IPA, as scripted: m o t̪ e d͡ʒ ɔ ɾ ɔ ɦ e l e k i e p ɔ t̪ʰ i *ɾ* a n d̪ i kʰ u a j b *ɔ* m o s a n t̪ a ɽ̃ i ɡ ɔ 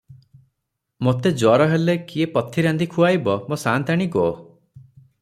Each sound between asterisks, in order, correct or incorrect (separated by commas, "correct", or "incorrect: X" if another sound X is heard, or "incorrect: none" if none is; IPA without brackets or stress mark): correct, correct